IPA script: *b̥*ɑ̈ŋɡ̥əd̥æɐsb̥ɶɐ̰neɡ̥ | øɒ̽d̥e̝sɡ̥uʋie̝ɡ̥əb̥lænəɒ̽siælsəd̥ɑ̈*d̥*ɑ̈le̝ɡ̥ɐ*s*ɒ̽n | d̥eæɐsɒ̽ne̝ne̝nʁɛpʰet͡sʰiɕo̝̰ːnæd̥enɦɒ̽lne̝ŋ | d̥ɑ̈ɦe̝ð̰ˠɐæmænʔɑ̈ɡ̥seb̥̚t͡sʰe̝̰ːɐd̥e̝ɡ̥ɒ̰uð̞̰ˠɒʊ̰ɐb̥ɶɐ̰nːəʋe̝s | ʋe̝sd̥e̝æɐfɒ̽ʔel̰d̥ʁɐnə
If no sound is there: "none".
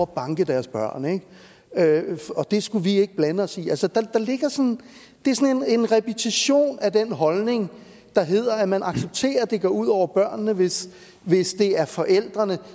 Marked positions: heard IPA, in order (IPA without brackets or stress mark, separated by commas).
b̥, d̥, s